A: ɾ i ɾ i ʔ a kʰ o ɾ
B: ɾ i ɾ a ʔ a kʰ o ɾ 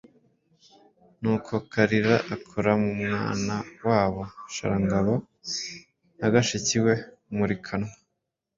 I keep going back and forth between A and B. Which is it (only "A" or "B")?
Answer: B